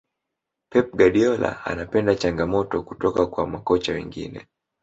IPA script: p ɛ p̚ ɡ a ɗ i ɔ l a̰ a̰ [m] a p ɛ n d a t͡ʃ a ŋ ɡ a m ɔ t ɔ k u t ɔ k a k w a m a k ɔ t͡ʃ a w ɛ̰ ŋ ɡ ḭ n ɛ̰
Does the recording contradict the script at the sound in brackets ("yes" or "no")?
yes